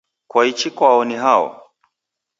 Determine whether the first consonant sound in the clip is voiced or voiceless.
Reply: voiceless